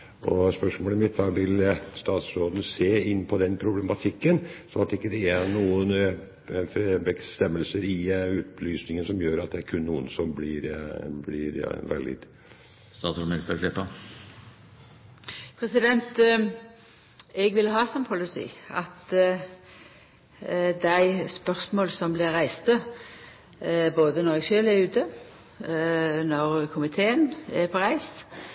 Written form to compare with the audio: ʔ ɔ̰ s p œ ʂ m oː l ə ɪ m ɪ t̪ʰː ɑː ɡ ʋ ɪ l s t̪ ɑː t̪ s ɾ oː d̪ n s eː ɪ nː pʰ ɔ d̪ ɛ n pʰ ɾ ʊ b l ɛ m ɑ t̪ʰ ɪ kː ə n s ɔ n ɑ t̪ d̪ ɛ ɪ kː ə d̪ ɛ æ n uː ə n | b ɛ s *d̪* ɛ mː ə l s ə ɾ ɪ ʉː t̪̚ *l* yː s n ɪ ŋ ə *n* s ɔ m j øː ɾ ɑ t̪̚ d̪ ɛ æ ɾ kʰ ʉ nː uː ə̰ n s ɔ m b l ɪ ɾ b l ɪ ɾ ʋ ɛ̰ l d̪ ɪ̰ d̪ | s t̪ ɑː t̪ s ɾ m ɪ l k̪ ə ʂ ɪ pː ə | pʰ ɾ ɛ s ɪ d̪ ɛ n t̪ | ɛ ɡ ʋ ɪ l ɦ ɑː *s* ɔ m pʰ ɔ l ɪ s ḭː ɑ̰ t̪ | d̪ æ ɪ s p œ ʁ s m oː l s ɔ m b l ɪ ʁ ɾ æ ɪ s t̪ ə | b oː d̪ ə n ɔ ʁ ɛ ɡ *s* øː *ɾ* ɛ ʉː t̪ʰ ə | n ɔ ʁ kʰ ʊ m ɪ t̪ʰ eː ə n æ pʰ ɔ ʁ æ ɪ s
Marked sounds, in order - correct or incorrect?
incorrect: t̪, correct, correct, correct, incorrect: ʃ, incorrect: l

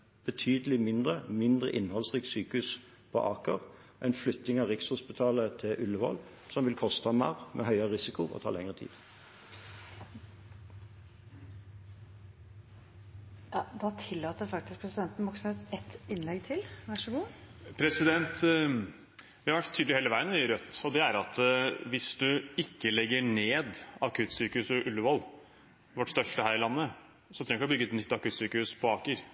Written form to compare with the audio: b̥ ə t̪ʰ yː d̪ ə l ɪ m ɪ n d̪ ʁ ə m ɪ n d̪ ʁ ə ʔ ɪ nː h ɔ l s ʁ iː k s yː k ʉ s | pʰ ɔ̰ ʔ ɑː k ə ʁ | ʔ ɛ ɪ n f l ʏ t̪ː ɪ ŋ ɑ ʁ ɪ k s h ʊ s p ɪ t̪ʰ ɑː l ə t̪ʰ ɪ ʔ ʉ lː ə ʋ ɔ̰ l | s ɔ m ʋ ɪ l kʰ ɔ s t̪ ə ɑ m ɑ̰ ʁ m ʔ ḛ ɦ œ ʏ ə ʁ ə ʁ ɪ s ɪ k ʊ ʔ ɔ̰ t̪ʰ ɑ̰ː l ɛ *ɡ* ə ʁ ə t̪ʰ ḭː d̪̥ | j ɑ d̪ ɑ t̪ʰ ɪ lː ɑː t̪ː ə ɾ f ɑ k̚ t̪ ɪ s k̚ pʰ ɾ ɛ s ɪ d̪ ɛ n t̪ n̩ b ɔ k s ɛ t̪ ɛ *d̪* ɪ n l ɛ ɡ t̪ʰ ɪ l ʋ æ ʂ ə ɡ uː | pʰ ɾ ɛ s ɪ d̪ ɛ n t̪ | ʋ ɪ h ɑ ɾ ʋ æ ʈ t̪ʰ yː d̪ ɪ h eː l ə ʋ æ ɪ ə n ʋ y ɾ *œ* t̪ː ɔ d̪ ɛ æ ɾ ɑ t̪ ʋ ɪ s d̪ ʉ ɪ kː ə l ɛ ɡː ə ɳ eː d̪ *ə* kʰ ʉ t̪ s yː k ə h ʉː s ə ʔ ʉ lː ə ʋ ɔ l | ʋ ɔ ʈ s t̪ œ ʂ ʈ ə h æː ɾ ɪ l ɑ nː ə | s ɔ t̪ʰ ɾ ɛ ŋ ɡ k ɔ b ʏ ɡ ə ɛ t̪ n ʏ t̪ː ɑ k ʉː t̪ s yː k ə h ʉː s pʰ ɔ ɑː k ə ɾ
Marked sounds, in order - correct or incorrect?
incorrect: ŋ, incorrect: t̪, correct, incorrect: ɑ

